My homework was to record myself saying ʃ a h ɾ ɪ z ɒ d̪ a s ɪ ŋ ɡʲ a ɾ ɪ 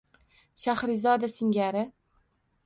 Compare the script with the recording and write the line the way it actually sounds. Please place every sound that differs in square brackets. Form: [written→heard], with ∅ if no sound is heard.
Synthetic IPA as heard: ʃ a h ɾ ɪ z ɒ d̪ a s ɪ ŋ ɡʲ a ɾ ɪ